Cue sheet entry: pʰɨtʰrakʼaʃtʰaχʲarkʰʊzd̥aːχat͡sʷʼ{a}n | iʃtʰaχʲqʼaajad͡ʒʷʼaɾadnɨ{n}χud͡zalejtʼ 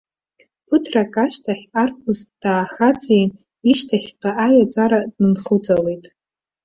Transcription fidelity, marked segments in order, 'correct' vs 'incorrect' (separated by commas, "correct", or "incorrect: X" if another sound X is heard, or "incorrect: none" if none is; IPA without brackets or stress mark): incorrect: e, correct